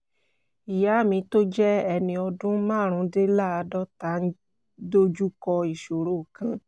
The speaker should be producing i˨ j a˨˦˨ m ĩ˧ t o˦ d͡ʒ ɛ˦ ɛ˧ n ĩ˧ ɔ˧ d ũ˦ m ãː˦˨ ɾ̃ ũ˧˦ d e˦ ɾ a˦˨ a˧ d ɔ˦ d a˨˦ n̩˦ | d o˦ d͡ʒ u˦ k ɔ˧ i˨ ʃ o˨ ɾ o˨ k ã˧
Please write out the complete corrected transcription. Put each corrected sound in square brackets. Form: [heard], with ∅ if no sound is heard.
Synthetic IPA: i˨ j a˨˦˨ m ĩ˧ t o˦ d͡ʒ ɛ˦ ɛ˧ n ĩ˧ ɔ˧ d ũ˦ m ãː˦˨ ɾ̃ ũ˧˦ d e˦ [l] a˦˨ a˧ d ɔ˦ [t] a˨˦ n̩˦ | d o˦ d͡ʒ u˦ k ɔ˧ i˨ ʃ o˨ ɾ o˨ k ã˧